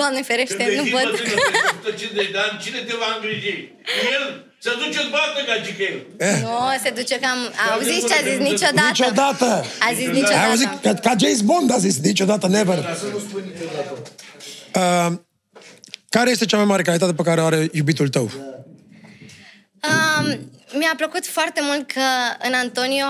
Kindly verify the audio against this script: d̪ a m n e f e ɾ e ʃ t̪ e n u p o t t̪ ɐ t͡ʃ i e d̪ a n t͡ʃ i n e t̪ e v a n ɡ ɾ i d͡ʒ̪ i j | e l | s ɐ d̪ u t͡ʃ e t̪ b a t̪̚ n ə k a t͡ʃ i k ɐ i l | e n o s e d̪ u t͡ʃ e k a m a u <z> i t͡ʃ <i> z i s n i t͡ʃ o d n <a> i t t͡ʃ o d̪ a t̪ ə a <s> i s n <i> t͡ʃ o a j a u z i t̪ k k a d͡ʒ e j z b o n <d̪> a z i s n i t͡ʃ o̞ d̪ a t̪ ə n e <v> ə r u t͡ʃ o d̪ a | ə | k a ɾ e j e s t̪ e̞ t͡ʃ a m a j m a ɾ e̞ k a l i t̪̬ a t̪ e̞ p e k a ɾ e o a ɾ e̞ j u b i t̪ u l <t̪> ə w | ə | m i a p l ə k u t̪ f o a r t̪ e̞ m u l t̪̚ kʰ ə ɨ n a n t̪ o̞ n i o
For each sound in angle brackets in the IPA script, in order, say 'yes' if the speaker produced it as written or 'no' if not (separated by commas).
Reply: yes, no, yes, no, yes, yes, yes, yes